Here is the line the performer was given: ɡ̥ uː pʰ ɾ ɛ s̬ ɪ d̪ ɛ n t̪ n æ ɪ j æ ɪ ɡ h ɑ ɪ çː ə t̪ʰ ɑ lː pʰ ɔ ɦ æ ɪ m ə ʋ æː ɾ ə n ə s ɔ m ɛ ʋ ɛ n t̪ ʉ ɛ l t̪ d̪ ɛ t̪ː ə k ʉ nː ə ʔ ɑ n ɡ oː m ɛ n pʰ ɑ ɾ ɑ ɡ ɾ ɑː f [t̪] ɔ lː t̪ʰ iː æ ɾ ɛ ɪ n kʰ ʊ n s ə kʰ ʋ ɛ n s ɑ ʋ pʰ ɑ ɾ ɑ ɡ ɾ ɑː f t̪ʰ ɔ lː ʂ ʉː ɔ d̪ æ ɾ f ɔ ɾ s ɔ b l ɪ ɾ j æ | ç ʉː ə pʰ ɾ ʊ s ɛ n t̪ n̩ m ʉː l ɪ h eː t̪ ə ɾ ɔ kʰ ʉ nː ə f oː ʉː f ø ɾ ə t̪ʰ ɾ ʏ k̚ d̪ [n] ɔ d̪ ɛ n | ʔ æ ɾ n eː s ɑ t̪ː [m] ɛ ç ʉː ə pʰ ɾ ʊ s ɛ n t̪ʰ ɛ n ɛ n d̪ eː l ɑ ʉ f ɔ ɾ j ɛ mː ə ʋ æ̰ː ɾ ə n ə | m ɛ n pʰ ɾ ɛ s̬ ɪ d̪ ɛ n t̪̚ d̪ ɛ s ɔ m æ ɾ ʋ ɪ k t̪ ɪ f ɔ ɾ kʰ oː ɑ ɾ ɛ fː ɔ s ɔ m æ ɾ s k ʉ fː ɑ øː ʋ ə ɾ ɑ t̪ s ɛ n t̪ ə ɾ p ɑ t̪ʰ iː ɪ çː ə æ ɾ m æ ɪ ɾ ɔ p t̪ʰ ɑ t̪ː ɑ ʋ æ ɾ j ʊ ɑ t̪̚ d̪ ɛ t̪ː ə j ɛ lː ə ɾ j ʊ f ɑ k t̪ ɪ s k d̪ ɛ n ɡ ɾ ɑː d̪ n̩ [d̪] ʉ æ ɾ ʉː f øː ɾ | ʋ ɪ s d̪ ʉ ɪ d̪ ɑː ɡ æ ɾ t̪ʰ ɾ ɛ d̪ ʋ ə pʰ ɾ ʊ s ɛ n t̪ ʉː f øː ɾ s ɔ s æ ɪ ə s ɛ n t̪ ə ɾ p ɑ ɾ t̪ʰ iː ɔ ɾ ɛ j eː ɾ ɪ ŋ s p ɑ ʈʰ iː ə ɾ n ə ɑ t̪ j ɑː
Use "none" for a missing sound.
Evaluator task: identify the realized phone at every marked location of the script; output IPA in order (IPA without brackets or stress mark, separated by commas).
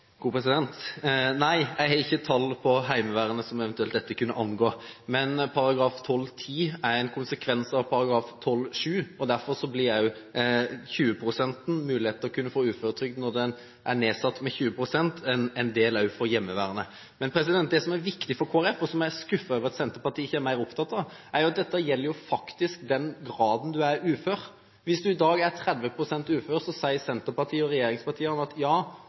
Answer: t̪ʰ, n, m, d̪